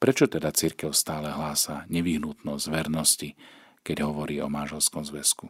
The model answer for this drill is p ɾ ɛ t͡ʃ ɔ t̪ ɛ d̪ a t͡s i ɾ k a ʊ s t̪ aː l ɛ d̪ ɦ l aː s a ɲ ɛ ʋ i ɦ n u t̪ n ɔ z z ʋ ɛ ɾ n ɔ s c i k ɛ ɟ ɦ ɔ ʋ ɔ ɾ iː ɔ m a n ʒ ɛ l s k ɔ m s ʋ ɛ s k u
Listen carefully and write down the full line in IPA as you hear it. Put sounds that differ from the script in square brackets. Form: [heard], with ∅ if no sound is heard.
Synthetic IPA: p ɾ ɛ t͡ʃ ɔ t̪ ɛ d̪ a t͡s i ɾ k [ɛ] ʊ s t̪ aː l ɛ [∅] ɦ l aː s a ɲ ɛ ʋ i ɦ n u t̪ n ɔ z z ʋ ɛ ɾ n ɔ s c i k ɛ ɟ ɦ ɔ ʋ ɔ ɾ iː ɔ m a n ʒ ɛ l s k ɔ m [z] ʋ ɛ s k u